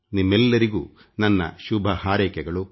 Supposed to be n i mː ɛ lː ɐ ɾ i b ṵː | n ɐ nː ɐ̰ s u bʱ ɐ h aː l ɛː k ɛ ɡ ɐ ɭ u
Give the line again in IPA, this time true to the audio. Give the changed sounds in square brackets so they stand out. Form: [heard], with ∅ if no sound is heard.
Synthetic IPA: n i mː ɛ lː ɐ ɾ i [ɡ] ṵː | n ɐ nː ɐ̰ [ʃ] u bʱ ɐ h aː [ɾ] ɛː k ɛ ɡ ɐ ɭ u